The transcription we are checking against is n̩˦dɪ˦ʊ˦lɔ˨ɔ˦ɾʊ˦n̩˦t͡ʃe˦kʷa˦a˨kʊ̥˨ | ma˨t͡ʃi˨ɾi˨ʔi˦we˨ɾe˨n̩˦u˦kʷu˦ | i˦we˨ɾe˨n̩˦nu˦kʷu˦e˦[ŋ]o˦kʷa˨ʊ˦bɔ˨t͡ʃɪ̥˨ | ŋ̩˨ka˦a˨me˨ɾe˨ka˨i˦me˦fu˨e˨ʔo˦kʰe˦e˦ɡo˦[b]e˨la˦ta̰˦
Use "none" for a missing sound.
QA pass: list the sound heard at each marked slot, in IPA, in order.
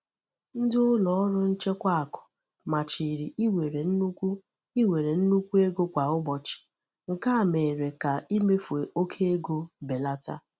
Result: ɡ, b

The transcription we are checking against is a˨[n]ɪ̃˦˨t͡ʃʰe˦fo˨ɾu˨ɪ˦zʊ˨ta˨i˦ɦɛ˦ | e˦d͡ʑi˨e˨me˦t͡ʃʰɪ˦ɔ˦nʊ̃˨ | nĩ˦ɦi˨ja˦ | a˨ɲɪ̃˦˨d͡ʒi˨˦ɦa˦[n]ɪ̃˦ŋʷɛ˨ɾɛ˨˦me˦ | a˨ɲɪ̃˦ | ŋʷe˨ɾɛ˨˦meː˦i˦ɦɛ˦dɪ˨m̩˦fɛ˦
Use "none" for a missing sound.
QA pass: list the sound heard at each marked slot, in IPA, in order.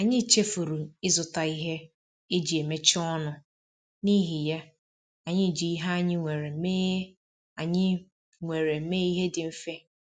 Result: ɲ, ɲ

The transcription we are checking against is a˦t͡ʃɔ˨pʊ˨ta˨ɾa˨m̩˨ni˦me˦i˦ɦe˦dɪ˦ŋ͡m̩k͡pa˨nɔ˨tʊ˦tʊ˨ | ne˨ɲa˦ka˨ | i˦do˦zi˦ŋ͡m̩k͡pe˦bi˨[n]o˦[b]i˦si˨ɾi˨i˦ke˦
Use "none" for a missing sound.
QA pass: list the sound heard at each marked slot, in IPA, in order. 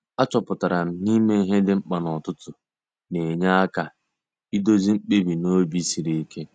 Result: n, b

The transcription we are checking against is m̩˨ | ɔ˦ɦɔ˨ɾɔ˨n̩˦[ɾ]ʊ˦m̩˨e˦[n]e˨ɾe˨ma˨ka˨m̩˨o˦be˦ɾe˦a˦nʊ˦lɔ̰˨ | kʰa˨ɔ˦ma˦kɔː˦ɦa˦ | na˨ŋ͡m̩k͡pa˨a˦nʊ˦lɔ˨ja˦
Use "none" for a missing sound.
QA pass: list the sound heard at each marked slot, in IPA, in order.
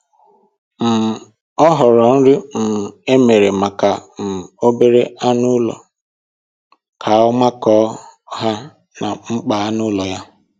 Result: ɾ, m

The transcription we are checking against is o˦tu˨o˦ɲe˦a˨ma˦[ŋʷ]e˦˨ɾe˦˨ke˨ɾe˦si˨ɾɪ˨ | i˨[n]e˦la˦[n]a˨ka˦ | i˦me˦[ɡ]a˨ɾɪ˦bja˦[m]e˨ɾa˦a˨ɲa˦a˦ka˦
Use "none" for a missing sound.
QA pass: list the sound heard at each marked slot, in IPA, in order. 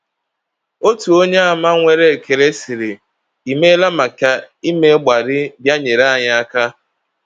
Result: ŋʷ, m, m, ɡ͡b, ɲ

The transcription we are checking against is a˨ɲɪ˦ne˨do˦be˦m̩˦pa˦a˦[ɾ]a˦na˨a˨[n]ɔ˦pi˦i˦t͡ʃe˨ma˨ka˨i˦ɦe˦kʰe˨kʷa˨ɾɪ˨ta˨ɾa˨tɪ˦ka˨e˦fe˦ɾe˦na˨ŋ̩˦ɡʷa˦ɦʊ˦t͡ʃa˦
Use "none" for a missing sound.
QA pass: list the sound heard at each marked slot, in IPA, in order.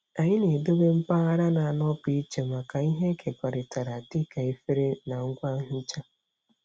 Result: ɾ, n

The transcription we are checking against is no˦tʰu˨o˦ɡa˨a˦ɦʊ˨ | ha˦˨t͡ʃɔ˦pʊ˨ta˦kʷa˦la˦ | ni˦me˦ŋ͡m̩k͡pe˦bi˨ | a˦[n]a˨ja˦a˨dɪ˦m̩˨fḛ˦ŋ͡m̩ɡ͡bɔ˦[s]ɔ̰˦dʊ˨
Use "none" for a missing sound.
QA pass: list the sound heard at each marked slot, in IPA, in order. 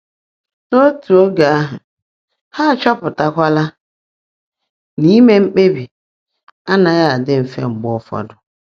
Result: n, f

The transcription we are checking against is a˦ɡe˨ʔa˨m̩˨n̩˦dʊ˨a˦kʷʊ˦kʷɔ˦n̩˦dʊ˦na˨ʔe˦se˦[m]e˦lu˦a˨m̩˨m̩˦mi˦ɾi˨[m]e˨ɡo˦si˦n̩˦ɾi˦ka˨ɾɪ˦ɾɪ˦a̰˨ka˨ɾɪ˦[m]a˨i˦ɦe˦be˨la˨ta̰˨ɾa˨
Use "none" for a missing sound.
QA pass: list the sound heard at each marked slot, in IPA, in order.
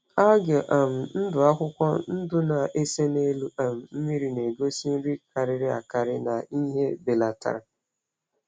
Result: n, n, n

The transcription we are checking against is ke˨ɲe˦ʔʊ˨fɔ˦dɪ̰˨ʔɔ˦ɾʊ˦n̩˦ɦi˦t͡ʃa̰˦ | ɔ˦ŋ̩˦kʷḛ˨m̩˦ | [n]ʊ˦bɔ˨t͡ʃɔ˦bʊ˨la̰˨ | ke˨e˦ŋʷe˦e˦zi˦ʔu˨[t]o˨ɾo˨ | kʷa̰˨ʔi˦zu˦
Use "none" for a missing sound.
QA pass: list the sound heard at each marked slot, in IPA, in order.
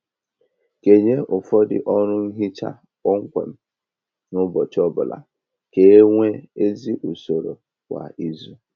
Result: n, s

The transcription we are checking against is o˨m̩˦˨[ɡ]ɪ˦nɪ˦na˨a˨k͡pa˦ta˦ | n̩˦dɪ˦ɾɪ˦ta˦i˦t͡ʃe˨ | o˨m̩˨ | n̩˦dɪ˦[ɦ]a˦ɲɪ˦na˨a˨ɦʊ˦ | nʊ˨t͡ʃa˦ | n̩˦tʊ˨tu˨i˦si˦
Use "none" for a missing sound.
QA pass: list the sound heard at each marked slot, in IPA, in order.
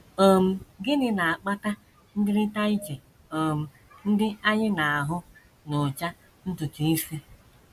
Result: ɡ, none

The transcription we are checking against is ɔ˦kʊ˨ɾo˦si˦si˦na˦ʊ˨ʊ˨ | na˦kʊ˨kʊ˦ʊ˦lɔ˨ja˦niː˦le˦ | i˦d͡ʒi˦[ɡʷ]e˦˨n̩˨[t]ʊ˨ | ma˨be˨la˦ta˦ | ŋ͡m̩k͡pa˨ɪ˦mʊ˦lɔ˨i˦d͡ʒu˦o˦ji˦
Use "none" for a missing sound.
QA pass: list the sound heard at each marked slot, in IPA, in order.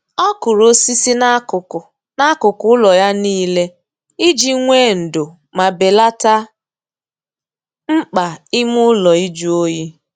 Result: ŋʷ, d

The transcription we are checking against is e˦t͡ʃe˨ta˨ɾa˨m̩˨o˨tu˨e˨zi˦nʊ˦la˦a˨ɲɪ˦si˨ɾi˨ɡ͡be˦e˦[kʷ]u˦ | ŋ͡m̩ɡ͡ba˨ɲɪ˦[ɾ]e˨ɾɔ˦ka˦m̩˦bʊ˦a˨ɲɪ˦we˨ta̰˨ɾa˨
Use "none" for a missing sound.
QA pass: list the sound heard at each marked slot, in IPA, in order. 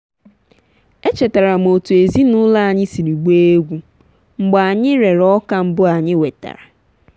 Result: ɡʷ, ɾ

